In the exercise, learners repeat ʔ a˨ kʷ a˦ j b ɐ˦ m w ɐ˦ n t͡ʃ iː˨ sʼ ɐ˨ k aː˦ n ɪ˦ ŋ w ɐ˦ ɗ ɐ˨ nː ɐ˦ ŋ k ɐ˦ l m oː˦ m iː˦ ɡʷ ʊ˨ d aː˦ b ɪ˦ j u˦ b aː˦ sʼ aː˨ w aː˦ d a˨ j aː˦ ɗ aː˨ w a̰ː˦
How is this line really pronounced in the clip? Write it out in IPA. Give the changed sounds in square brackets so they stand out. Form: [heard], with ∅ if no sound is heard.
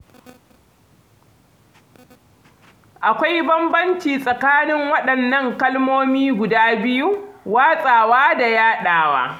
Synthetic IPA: ʔ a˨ kʷ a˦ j b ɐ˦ m [b] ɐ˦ n t͡ʃ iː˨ sʼ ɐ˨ k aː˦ n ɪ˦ ŋ w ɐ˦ ɗ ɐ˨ nː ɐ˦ ŋ k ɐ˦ l m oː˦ m iː˦ ɡʷ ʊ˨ d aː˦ b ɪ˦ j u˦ [w] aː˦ sʼ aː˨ w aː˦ d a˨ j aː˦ ɗ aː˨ w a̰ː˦